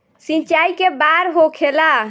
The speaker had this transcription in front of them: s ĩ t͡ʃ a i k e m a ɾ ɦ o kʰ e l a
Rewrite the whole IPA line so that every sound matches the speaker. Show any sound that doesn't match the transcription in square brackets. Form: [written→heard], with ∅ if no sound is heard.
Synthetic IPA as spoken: s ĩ t͡ʃ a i k e [m→b] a ɾ ɦ o kʰ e l a